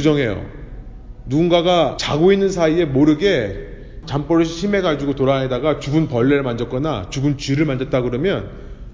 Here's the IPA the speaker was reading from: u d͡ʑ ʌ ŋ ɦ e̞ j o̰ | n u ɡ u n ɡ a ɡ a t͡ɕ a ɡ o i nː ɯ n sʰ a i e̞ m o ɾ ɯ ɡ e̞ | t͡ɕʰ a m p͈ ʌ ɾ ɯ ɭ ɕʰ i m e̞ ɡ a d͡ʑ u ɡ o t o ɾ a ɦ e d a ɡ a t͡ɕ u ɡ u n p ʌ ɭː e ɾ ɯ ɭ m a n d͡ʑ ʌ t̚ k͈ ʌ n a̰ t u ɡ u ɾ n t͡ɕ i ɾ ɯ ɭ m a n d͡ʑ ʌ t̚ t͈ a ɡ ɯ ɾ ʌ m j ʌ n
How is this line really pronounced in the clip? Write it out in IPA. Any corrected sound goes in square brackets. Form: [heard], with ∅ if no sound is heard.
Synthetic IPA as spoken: u d͡ʑ ʌ ŋ ɦ e̞ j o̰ | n u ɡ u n ɡ a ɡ a t͡ɕ a ɡ o i nː ɯ n sʰ a i e̞ m o ɾ ɯ ɡ e̞ | [t͡ɕ] a m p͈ ʌ ɾ ɯ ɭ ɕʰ i m e̞ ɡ a d͡ʑ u ɡ o t o ɾ a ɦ e d a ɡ a t͡ɕ u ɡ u n p ʌ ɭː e ɾ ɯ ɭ m a n d͡ʑ ʌ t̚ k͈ ʌ n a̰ [t͡ɕ] u ɡ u [∅] n t͡ɕ i ɾ ɯ ɭ m a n d͡ʑ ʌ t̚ t͈ a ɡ ɯ ɾ ʌ m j ʌ n